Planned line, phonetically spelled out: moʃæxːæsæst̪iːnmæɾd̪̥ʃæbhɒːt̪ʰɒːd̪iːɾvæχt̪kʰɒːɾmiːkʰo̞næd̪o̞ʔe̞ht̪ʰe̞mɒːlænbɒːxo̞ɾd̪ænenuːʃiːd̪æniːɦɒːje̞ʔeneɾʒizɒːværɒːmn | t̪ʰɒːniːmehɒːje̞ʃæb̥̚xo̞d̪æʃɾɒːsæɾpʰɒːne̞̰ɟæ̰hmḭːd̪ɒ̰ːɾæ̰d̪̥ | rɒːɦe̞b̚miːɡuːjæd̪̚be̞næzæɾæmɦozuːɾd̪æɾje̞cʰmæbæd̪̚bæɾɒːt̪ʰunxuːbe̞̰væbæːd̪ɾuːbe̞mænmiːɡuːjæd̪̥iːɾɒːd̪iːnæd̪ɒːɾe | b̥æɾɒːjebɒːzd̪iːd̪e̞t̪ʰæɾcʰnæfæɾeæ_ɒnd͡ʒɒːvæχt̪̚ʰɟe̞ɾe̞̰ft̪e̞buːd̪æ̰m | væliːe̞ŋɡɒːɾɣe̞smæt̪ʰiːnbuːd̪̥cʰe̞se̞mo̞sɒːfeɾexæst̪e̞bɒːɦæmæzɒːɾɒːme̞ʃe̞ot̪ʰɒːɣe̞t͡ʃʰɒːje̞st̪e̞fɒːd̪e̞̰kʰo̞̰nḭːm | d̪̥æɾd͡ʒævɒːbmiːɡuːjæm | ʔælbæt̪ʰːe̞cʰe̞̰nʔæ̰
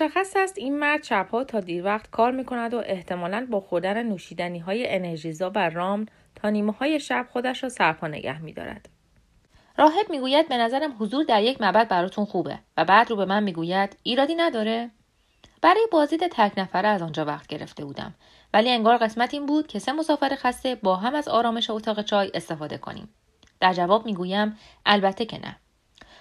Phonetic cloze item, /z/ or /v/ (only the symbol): z